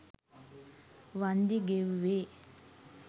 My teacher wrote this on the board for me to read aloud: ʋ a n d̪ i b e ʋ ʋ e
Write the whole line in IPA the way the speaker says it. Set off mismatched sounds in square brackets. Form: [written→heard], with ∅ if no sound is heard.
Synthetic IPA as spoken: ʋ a n d̪ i [b→ɡ] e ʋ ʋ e